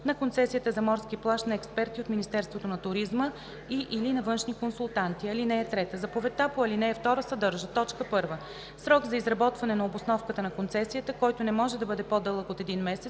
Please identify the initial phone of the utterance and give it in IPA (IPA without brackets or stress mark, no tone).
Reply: n